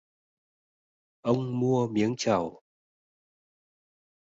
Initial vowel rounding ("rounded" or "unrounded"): unrounded